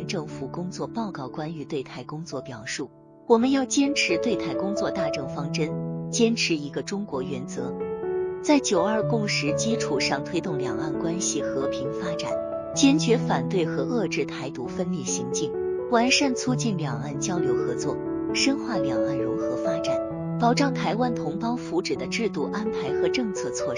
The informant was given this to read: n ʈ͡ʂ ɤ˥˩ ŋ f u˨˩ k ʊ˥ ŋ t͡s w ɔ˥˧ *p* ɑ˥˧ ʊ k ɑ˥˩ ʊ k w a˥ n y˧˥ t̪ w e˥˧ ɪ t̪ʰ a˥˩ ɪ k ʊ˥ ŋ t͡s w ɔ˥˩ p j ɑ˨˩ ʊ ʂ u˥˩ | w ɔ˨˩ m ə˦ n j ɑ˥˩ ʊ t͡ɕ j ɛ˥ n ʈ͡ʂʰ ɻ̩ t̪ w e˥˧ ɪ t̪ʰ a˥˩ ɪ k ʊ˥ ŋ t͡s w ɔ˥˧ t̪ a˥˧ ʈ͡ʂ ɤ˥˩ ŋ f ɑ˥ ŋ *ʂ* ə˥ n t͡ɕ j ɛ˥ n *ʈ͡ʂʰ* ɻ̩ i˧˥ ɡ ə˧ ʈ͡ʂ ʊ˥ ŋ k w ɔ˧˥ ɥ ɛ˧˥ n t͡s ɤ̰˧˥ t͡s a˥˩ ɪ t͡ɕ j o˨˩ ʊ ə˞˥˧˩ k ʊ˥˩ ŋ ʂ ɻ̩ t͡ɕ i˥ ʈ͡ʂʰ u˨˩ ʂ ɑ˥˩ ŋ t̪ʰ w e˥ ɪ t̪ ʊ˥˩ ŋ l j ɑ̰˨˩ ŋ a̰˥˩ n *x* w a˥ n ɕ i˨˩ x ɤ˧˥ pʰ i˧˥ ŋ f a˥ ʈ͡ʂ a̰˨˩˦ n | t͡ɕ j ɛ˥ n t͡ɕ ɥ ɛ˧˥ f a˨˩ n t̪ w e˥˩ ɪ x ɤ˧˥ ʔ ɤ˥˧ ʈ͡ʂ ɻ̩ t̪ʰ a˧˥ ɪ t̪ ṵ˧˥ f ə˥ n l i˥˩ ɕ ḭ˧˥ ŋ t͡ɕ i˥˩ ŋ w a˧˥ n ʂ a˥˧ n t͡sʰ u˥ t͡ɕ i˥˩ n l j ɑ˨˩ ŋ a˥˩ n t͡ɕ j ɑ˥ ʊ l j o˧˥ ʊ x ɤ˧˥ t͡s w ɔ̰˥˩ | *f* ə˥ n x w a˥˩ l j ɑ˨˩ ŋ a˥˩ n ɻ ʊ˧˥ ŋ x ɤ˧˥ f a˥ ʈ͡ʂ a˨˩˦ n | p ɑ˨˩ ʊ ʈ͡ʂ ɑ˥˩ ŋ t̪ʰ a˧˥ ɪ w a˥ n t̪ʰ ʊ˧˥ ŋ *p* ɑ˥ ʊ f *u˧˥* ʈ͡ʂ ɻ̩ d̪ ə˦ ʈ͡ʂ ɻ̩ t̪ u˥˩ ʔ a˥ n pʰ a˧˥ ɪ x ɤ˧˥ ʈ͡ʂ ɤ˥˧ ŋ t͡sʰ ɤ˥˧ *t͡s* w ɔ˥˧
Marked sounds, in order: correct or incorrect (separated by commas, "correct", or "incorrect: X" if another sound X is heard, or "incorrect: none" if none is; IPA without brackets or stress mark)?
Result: correct, incorrect: ʈ͡ʂ, correct, incorrect: k, incorrect: ʂ, correct, correct, incorrect: t͡sʰ